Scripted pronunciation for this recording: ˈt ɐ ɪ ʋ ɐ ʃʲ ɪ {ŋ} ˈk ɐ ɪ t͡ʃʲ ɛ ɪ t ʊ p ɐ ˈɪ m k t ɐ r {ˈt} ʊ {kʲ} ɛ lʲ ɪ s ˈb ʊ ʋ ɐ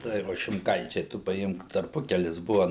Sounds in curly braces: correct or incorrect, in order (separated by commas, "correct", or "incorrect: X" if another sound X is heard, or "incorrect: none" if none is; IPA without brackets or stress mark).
incorrect: m, incorrect: p, correct